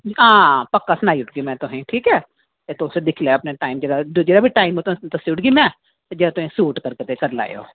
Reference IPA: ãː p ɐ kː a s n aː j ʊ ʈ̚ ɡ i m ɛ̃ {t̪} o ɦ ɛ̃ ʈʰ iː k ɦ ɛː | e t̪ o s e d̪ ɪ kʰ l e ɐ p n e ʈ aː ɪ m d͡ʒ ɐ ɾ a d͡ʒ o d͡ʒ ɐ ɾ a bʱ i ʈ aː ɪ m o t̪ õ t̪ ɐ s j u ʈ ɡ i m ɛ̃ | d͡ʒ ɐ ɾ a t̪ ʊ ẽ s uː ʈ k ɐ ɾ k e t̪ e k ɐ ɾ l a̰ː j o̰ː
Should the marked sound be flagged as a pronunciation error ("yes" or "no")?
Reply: no